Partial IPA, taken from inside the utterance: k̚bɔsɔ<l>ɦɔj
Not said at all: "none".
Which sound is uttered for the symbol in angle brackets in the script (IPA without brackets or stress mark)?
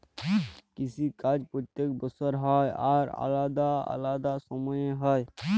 ɾ